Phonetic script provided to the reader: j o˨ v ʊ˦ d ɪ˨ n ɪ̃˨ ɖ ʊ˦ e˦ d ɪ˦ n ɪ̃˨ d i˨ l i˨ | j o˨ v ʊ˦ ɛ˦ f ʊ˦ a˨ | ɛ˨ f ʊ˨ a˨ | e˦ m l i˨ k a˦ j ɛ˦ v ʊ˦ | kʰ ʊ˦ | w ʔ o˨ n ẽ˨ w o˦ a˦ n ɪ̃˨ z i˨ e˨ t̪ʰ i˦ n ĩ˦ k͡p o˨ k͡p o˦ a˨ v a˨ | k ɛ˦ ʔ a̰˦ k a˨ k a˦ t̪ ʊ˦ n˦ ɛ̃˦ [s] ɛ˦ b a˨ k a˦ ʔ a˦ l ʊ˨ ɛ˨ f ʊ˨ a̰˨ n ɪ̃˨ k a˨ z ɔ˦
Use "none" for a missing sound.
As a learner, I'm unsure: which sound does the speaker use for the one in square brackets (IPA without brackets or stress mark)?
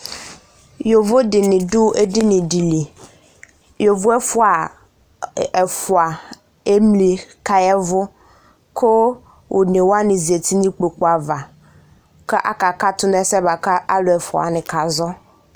s